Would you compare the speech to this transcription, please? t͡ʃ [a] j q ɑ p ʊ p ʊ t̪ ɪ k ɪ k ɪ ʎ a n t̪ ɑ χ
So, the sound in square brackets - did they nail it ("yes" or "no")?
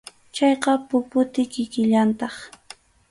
no